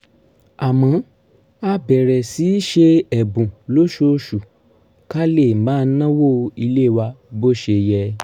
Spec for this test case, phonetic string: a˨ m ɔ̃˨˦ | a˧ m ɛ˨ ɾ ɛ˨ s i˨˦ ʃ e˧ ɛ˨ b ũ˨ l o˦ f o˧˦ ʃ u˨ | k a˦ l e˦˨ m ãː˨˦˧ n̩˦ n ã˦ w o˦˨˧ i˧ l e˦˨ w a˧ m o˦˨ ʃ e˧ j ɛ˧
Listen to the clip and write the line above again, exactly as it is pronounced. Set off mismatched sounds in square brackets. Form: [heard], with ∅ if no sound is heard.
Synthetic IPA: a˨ m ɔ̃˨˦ | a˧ [b] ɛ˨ ɾ ɛ˨ s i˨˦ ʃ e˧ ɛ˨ b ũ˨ l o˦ [ʃ] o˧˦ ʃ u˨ | k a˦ l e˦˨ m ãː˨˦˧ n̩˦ n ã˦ w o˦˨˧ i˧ l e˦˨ w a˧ [b] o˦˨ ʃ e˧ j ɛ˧